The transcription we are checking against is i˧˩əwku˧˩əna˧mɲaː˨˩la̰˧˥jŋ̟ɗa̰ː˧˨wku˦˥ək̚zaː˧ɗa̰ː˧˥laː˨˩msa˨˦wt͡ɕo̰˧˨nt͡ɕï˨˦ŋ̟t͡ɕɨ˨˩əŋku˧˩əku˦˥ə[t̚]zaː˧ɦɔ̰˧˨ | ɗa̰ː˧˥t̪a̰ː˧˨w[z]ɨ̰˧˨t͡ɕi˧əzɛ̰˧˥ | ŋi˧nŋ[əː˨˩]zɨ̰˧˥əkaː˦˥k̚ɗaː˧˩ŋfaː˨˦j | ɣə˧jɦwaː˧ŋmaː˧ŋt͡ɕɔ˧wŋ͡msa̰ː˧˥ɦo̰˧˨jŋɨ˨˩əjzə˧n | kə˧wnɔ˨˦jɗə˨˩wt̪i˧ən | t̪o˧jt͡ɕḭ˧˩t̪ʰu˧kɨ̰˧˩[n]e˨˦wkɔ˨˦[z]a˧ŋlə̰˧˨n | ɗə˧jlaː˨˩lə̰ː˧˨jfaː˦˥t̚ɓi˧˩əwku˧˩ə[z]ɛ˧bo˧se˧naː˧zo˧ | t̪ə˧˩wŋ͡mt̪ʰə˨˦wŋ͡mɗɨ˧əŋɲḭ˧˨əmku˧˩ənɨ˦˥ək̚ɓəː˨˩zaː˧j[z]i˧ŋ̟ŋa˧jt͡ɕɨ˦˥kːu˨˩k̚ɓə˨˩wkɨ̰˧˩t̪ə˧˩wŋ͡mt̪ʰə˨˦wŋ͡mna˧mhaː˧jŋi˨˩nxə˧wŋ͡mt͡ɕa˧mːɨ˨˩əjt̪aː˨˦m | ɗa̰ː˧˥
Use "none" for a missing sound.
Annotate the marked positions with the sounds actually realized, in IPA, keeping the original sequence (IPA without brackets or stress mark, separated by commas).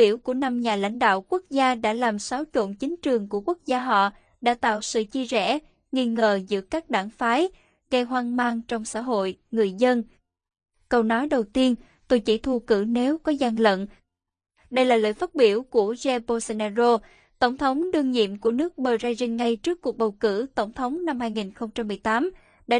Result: k̚, s, əː˨˩, n, z, z, z